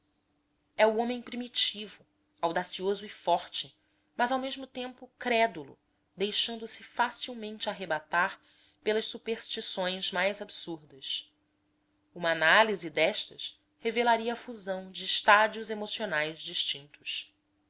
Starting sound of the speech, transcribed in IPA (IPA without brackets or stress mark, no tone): ɛ